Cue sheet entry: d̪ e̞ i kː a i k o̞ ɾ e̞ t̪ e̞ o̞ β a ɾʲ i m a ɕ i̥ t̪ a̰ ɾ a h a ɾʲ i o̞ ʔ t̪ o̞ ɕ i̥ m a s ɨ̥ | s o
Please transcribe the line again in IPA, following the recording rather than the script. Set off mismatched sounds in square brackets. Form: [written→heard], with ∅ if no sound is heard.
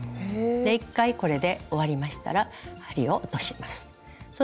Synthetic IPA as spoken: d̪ e̞ i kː a i k o̞ ɾ e̞ [t̪→d̪] e̞ o̞ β a ɾʲ i m a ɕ i̥ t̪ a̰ ɾ a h a ɾʲ i o̞ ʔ t̪ o̞ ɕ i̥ m a s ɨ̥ | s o